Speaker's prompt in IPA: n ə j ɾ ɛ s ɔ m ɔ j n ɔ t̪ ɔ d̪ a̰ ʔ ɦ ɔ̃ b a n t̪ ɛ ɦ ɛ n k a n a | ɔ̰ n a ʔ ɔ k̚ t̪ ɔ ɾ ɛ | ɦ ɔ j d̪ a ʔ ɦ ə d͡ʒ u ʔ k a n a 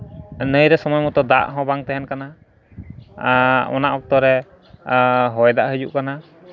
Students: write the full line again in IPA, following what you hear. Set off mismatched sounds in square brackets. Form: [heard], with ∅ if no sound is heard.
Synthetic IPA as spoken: n ə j ɾ ɛ s ɔ m ɔ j [m] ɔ t̪ ɔ d̪ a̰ ʔ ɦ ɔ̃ b a [ŋ] t̪ ɛ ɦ ɛ n k a n a | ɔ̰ n a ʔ ɔ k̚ t̪ ɔ ɾ ɛ | ɦ ɔ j d̪ a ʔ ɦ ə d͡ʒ u ʔ k a n a